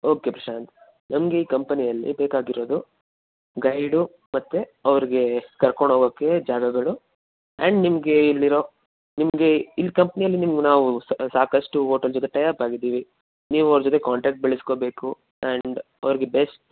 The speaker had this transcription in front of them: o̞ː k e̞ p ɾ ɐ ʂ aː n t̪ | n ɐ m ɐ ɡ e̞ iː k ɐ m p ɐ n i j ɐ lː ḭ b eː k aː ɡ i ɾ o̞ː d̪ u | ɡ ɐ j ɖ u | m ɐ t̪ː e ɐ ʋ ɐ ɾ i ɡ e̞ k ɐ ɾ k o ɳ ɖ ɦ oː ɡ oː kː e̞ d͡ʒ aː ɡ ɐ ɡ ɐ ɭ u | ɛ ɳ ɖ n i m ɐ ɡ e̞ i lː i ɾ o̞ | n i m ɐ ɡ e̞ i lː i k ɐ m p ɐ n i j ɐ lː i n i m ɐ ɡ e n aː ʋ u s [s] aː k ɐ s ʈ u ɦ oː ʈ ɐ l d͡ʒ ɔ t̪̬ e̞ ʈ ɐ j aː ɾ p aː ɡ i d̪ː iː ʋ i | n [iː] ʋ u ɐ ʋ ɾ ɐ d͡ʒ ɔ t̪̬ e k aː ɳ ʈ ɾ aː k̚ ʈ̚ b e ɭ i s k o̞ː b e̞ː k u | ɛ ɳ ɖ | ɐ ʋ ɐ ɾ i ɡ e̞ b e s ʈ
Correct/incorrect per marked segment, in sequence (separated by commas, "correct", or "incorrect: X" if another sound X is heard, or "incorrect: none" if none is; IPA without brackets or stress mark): correct, correct